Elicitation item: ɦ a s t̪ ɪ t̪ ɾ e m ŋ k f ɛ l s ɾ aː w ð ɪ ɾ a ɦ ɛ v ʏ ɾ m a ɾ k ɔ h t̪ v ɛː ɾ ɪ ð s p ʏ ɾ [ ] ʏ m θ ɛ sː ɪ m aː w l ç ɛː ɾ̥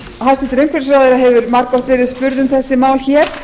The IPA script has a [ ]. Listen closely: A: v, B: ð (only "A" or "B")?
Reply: B